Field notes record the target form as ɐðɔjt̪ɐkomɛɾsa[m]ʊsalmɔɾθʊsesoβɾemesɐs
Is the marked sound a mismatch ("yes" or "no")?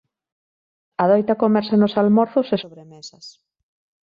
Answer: yes